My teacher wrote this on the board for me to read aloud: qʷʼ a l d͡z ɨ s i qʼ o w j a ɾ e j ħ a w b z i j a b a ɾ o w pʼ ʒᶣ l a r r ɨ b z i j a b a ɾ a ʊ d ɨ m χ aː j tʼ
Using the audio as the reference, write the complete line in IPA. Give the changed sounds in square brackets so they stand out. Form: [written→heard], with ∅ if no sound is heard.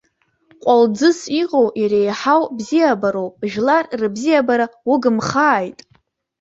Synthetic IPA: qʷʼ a l d͡z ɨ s i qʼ o w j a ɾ e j ħ a w b z i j a b a ɾ o w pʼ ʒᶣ l a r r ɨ b z i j a b a ɾ a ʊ [d→ɡ] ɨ m χ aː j tʼ